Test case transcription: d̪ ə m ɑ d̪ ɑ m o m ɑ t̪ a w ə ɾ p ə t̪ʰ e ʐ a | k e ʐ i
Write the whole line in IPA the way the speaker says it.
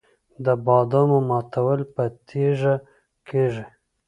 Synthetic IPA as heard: d̪ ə b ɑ d̪ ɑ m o m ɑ t̪ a w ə l p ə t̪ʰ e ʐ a | k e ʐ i